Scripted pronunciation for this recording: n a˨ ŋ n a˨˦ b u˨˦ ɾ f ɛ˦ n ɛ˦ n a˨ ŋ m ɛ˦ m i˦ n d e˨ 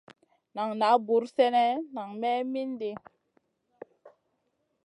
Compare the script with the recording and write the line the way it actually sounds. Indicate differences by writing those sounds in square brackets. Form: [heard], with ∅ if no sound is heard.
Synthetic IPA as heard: n a˨ ŋ n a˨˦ b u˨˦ ɾ [s] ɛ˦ n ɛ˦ n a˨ ŋ m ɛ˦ m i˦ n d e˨